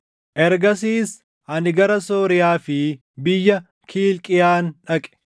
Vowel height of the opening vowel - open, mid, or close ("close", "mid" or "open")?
mid